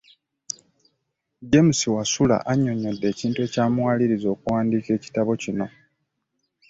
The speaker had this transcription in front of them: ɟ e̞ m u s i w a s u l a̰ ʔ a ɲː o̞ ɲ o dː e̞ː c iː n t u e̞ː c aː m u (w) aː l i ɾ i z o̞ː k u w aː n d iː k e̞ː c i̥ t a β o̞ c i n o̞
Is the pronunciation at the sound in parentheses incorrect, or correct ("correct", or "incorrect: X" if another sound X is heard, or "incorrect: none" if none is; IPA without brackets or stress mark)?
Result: correct